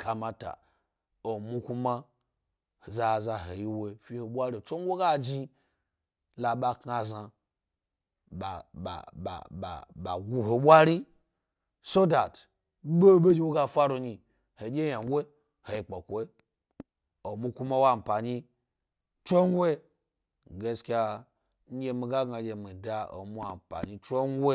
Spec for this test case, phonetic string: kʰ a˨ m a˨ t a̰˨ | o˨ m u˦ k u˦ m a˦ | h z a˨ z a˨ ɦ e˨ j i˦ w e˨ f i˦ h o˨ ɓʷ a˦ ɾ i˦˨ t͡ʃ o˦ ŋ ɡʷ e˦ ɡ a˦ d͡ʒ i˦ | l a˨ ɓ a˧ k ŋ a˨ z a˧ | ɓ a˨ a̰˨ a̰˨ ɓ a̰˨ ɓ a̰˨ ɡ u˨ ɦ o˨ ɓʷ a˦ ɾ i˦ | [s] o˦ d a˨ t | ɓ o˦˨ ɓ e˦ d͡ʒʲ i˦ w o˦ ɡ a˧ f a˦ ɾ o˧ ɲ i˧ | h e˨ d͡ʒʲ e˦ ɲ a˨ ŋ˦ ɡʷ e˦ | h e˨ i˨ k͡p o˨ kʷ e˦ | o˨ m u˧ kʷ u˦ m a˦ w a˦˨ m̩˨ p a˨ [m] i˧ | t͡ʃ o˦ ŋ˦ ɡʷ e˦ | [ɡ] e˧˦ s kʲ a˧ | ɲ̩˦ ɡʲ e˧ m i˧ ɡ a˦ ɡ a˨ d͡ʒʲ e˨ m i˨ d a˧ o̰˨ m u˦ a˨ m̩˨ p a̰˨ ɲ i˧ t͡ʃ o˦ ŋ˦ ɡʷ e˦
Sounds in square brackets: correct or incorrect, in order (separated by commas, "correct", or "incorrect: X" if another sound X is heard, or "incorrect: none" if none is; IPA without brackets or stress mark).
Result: correct, incorrect: ɲ, correct